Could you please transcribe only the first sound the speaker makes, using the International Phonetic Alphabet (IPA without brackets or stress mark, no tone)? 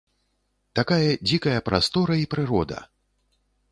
t̪